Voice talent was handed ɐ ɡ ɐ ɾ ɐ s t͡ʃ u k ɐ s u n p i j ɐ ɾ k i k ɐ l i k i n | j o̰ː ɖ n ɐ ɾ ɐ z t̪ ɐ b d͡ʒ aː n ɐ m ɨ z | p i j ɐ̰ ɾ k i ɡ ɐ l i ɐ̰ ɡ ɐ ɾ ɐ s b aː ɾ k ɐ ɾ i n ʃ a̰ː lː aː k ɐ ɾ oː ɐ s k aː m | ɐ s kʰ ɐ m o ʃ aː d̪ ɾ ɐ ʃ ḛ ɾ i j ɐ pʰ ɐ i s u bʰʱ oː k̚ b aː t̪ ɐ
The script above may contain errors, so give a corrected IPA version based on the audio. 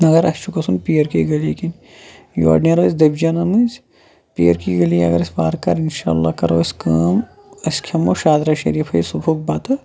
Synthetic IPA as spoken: ɐ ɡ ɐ ɾ ɐ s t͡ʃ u k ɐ s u n p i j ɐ ɾ k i ɡ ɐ l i k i n | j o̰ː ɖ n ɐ ɾ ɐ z d̪ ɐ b d͡ʒ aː n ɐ m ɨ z | p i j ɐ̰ ɾ k i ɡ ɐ l i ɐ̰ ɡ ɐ ɾ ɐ s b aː ɾ k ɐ ɾ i n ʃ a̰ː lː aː k ɐ ɾ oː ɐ s k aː m | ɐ s kʰ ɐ m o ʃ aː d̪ ɾ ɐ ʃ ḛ ɾ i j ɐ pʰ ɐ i s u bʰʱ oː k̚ b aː t̪ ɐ